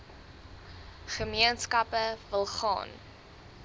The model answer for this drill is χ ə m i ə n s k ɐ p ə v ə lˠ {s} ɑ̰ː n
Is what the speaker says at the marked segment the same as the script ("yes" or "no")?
no